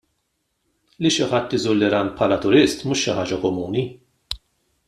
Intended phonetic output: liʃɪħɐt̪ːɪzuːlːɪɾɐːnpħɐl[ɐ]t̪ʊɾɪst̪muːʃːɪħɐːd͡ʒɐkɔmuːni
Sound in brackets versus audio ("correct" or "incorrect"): correct